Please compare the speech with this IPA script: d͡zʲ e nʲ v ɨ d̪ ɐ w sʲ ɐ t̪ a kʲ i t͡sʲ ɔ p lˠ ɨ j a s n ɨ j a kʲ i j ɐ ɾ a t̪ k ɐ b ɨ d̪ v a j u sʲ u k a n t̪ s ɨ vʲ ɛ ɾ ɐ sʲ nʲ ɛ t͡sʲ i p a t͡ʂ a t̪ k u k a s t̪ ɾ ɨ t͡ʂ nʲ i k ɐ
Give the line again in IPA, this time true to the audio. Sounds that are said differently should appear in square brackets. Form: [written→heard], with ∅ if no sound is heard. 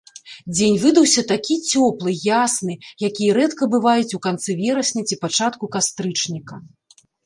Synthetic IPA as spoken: d͡zʲ e nʲ v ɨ d̪ ɐ w sʲ ɐ t̪ a kʲ i t͡sʲ ɔ p lˠ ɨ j a s n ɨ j a kʲ i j ɐ ɾ [a→ɛ] t̪ k ɐ b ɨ [d̪→∅] v a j u [sʲ→t͡sʲ] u k a n t̪ s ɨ vʲ ɛ ɾ ɐ sʲ nʲ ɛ t͡sʲ i p a t͡ʂ a t̪ k u k a s t̪ ɾ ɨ t͡ʂ nʲ i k ɐ